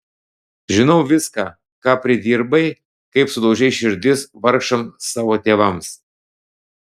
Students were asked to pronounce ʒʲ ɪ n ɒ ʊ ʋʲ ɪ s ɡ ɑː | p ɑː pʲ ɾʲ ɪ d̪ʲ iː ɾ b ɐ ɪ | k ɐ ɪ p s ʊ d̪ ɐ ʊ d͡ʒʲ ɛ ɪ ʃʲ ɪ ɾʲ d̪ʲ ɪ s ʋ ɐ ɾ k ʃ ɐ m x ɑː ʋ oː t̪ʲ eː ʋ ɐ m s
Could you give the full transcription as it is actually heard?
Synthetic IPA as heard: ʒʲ ɪ n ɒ ʊ ʋʲ ɪ s k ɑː | k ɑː pʲ ɾʲ ɪ d̪ʲ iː ɾ b ɐ ɪ | k ɐ ɪ p s ʊ d̪ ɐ ʊ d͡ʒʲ ɛ ɪ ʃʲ ɪ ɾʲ d̪ʲ ɪ s ʋ ɐ ɾ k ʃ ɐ m s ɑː ʋ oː t̪ʲ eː ʋ ɐ m s